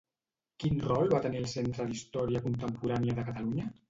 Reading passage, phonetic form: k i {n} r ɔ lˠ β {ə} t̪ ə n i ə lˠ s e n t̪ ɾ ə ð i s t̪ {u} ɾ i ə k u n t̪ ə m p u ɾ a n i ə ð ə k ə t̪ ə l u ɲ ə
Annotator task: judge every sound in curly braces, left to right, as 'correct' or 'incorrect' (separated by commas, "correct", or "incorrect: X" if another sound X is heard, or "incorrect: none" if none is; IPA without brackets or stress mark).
correct, incorrect: a, incorrect: ɔ